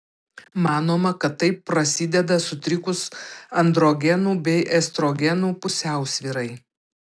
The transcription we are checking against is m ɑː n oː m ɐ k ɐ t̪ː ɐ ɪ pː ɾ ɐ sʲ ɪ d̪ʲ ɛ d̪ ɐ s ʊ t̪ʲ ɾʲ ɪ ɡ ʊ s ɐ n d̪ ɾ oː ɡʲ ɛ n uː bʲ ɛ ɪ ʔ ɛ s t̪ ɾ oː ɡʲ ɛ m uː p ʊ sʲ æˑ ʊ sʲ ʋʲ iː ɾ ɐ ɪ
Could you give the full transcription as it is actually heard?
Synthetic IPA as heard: m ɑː n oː m ɐ k ɐ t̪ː ɐ ɪ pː ɾ ɐ sʲ ɪ d̪ʲ ɛ d̪ ɐ s ʊ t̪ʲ ɾʲ ɪ k ʊ s ɐ n d̪ ɾ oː ɡʲ ɛ n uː bʲ ɛ ɪ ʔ ɛ s t̪ ɾ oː ɡʲ ɛ n uː p ʊ sʲ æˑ ʊ sʲ ʋʲ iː ɾ ɐ ɪ